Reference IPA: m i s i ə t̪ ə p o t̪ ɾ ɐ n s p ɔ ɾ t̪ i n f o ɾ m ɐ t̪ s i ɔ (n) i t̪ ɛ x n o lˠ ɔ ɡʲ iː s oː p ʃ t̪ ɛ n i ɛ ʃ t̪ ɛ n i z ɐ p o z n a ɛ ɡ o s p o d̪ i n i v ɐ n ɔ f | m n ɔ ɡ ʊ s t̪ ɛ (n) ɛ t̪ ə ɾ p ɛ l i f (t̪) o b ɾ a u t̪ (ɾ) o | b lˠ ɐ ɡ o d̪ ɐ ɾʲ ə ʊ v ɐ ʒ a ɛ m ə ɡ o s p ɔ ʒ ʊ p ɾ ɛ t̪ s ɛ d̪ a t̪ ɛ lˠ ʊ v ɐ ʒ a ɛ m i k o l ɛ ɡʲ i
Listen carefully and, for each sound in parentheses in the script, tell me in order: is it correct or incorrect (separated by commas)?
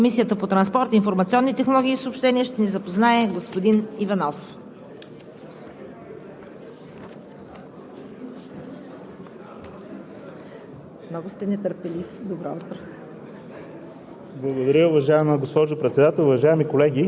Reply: incorrect, correct, incorrect, correct